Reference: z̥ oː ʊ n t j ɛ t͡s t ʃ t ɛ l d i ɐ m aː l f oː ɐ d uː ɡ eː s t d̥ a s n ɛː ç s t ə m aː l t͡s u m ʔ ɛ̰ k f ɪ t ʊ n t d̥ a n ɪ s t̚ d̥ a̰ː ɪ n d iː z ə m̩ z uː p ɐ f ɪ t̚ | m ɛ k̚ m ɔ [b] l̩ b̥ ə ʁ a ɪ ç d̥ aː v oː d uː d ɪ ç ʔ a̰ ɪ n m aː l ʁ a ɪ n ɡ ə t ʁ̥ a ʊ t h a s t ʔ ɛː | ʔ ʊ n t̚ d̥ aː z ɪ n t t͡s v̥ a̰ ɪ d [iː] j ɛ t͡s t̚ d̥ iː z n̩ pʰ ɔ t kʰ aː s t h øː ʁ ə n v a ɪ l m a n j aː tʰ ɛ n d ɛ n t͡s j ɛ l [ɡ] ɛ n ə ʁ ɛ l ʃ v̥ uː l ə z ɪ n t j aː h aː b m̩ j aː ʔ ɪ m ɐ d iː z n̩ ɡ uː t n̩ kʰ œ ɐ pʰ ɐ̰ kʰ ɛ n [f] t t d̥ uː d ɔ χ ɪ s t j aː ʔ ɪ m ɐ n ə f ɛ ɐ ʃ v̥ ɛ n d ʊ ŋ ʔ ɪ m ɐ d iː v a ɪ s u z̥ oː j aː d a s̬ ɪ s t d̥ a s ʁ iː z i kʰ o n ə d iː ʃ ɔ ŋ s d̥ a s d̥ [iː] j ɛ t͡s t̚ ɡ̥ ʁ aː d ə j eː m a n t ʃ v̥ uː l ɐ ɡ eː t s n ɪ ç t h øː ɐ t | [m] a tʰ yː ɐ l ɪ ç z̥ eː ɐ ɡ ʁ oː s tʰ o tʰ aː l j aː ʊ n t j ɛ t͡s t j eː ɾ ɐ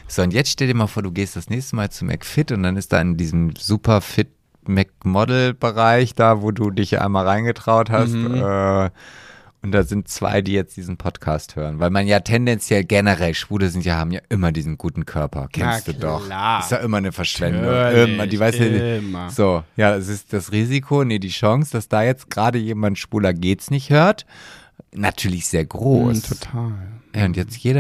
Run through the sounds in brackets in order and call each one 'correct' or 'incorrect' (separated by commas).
incorrect, correct, correct, incorrect, incorrect, incorrect